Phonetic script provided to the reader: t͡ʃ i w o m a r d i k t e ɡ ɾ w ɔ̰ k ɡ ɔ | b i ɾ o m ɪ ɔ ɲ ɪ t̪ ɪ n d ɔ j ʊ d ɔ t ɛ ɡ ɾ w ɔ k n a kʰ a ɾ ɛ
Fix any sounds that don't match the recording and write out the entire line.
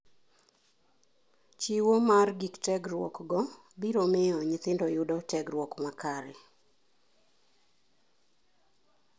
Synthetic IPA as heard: t͡ʃ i w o m a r ɡ i k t ɛ ɡ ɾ w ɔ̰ k ɡ ɔ | b i ɾ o m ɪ ɔ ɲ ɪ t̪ ɪ n d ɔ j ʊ d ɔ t ɛ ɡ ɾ w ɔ k m a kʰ a ɾ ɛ